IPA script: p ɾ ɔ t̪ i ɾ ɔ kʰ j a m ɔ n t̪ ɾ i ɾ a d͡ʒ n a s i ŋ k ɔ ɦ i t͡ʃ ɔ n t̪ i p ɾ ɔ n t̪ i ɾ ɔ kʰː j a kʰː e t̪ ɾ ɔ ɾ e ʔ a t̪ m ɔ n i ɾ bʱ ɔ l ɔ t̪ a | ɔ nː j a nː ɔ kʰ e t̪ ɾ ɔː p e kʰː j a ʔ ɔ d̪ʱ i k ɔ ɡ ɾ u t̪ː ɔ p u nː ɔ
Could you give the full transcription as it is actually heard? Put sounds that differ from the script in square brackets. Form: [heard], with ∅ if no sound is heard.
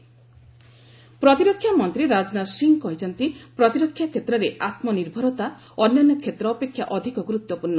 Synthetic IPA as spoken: p ɾ ɔ t̪ i ɾ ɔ kʰ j a m ɔ n t̪ ɾ i ɾ a d͡ʒ n a s i ŋ k ɔ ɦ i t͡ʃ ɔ n t̪ i p ɾ ɔ [∅] t̪ i ɾ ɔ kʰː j a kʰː e t̪ ɾ ɔ ɾ e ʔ a t̪ m ɔ n i ɾ bʱ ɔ [ɾ] ɔ t̪ a | ɔ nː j a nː ɔ kʰ e t̪ ɾ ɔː p e kʰː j a ʔ ɔ d̪ʱ i k ɔ ɡ ɾ u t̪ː ɔ p u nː ɔ